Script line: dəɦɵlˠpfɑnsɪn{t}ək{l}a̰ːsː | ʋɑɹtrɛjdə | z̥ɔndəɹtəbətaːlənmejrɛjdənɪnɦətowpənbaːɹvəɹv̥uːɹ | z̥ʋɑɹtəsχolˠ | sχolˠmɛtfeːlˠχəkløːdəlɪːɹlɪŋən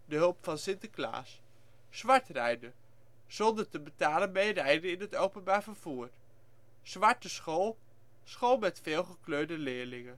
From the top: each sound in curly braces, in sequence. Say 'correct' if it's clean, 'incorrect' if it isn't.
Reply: correct, correct

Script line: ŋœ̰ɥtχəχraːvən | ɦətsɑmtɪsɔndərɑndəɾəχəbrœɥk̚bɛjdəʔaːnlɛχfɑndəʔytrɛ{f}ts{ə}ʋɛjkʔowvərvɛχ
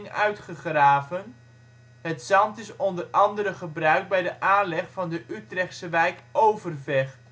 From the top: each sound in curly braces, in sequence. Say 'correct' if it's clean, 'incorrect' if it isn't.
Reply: incorrect: χ, correct

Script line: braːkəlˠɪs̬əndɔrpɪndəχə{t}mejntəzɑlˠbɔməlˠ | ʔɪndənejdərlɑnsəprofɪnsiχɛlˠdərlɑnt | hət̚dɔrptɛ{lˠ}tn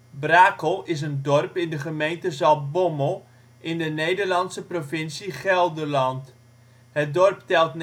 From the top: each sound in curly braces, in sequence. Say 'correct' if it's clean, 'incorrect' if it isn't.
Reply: incorrect: none, correct

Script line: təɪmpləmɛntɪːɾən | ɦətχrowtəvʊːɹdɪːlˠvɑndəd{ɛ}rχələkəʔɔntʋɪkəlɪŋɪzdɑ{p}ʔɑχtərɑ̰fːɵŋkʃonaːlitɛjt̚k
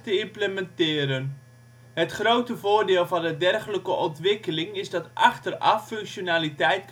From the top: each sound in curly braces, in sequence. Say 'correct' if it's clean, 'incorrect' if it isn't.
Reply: correct, incorrect: t

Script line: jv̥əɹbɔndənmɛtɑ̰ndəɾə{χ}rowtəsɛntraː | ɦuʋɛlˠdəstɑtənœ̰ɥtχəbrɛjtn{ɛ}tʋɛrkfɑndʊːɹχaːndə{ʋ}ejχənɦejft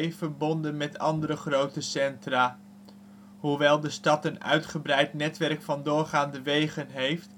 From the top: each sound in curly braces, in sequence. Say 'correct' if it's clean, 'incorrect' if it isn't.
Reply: correct, correct, correct

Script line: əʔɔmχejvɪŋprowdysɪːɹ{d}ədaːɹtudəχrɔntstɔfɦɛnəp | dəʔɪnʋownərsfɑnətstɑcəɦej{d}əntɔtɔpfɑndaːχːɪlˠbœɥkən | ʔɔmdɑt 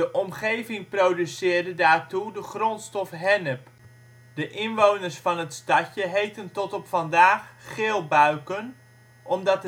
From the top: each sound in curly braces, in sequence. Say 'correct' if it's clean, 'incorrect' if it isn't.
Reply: correct, incorrect: t

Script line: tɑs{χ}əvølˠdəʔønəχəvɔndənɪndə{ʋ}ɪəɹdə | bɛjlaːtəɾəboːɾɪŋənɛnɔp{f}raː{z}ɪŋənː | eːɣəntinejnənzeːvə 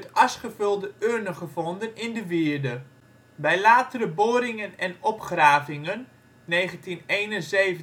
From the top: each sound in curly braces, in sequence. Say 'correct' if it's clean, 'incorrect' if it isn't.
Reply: correct, correct, incorrect: χ, incorrect: v

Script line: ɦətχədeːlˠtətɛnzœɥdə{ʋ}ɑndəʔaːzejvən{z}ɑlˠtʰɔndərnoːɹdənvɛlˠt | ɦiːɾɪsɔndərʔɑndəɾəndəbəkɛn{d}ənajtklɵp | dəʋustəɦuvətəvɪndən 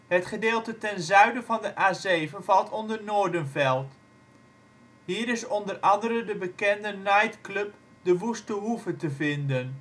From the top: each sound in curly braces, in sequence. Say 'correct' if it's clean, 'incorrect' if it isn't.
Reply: incorrect: v, incorrect: v, correct

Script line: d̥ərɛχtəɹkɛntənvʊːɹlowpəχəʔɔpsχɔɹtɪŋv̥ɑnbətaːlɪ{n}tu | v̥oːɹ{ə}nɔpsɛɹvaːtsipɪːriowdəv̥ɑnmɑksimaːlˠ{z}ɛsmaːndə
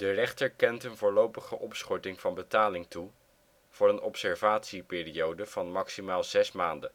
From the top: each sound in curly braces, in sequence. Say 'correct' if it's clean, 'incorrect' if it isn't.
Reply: incorrect: ŋ, correct, correct

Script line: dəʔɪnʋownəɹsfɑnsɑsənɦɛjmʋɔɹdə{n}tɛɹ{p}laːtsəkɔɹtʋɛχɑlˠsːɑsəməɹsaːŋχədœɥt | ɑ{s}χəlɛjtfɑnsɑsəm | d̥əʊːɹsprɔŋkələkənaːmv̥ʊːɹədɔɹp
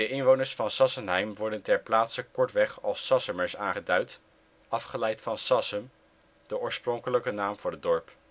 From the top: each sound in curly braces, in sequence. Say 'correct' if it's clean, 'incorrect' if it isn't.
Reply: correct, correct, incorrect: f

